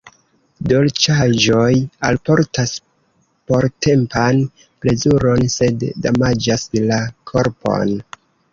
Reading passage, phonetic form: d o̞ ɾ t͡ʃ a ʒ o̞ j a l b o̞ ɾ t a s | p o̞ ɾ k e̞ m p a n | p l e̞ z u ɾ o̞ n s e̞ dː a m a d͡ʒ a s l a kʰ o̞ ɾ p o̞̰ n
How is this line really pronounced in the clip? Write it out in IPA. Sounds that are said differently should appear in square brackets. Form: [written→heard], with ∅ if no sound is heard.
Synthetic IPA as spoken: d o̞ [ɾ→l] t͡ʃ a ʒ o̞ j a l [b→p] o̞ ɾ t a s | p o̞ ɾ [k→t] e̞ m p a n | p l e̞ z u ɾ o̞ n s e̞ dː a m a d͡ʒ a s l a kʰ o̞ ɾ p o̞̰ n